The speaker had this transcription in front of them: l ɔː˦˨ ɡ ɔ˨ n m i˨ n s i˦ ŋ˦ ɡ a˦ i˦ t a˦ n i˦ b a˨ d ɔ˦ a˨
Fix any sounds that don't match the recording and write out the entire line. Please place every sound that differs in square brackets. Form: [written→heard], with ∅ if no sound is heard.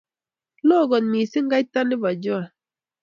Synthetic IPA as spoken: l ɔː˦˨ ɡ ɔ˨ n m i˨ [n→∅] s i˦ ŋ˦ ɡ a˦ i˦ t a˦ n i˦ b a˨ [d→d͡ʒ] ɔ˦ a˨